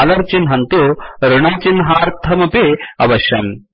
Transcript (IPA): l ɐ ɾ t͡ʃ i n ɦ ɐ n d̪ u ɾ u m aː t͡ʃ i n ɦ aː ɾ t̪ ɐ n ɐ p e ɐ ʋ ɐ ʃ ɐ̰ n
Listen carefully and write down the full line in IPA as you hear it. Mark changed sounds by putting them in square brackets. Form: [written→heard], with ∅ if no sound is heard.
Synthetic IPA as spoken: l ɐ ɾ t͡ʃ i n ɦ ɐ n [d̪→t̪] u ɾ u [m→ɳ] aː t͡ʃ i n ɦ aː ɾ [t̪→t̪ʰ] ɐ [n→m] ɐ p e ɐ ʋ ɐ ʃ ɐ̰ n